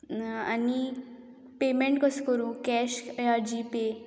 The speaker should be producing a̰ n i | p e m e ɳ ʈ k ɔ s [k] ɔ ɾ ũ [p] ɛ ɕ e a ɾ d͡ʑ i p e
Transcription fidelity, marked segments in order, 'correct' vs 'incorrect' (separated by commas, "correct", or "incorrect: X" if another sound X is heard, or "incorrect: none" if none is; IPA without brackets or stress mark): correct, incorrect: k